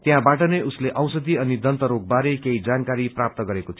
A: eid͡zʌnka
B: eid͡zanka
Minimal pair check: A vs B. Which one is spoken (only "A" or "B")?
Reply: B